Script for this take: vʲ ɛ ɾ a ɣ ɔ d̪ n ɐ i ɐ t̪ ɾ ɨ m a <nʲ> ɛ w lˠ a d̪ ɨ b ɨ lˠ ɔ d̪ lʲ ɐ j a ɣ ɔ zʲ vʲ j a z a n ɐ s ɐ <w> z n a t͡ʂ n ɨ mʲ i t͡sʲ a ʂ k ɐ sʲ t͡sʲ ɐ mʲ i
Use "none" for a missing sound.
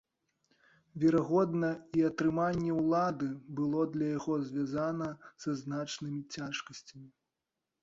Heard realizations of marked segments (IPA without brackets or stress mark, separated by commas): nʲː, none